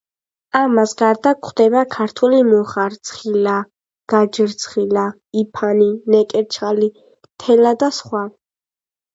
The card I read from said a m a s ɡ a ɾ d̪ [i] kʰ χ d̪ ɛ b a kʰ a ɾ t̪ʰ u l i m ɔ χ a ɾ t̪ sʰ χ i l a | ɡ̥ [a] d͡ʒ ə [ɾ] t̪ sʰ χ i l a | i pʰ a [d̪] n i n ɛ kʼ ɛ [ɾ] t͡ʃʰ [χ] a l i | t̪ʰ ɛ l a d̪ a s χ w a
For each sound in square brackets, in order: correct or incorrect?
incorrect: a, correct, correct, incorrect: none, correct, correct

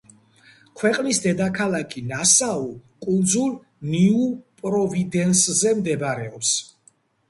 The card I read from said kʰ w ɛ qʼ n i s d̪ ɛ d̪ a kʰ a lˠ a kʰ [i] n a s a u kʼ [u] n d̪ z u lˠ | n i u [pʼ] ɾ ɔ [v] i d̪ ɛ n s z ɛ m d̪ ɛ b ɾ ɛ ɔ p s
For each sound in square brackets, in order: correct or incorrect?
correct, correct, correct, correct

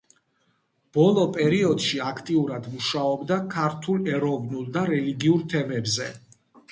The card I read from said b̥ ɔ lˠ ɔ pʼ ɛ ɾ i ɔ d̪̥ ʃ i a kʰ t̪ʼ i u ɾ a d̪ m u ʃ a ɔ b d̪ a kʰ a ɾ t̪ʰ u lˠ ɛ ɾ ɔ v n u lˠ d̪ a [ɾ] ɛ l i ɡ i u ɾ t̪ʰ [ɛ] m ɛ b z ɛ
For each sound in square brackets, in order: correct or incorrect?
correct, correct

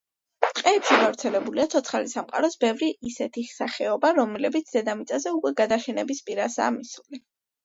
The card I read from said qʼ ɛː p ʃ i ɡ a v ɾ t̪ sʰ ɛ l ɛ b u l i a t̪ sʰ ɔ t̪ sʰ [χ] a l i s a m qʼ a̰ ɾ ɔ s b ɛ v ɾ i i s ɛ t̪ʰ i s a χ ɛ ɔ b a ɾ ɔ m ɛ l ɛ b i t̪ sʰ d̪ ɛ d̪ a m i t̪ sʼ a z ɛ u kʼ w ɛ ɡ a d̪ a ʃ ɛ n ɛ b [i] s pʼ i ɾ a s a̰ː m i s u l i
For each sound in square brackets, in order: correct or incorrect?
correct, correct

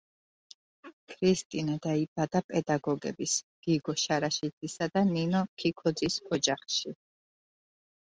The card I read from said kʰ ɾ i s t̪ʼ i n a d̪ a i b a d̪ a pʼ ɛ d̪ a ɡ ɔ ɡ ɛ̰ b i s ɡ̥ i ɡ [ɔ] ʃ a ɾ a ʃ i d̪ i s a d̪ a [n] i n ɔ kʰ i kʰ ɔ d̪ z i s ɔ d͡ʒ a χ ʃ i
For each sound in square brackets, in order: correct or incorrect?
correct, correct

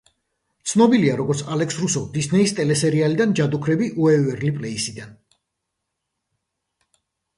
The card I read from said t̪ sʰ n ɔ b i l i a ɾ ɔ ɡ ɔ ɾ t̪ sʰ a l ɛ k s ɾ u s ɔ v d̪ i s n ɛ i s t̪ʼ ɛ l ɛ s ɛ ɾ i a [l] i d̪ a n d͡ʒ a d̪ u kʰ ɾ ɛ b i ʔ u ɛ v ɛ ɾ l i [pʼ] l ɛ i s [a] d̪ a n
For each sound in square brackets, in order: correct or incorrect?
correct, correct, incorrect: i

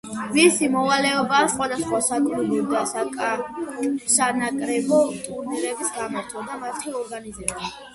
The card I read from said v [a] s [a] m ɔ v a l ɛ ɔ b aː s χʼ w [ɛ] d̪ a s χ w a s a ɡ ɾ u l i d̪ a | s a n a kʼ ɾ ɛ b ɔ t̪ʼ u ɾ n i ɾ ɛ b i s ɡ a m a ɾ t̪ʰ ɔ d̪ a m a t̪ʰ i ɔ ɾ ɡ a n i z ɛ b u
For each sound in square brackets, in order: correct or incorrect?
incorrect: i, incorrect: i, incorrect: a

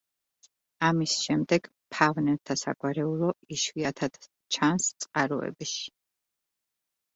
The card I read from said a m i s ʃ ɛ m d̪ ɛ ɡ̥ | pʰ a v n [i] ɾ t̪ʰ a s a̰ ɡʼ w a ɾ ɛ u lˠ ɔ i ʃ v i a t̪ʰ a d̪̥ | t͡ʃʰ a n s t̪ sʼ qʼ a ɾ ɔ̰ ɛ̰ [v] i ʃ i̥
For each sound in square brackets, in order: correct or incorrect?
incorrect: ɛ, incorrect: b

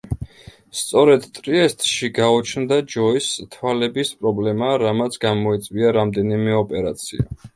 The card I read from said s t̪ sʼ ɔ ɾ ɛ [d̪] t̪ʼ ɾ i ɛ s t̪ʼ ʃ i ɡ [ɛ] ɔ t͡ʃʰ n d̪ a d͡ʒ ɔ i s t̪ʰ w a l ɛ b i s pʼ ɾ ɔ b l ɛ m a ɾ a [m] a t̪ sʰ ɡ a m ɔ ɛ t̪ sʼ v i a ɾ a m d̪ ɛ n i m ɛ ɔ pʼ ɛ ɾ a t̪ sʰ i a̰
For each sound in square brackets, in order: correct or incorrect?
correct, incorrect: a, correct

